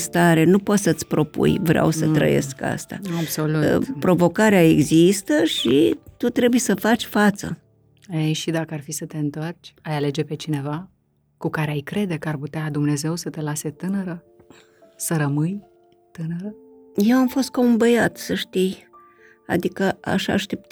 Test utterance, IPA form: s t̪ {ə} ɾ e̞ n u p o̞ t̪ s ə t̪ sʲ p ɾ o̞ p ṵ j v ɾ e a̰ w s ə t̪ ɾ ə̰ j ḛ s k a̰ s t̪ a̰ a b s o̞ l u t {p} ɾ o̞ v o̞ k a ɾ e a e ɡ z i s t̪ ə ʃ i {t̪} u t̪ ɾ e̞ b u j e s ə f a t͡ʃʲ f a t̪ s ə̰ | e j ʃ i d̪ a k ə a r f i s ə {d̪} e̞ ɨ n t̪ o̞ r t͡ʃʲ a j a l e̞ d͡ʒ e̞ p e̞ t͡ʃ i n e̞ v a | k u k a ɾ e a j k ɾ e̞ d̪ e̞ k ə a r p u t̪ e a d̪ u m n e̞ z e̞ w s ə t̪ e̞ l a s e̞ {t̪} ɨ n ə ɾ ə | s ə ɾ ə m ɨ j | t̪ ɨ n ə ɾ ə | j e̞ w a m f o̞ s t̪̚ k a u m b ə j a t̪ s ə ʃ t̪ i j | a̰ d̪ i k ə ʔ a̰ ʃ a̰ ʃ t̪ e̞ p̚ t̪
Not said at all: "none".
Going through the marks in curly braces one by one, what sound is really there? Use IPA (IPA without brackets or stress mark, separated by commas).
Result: a, p, t̪, t̪, t̪